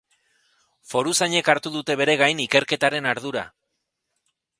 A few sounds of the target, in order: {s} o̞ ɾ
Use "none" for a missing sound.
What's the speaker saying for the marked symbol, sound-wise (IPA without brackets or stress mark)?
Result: f